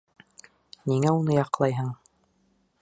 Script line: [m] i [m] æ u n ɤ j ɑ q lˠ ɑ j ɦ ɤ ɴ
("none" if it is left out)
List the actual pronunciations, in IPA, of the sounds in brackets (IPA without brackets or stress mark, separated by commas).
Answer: n, ŋ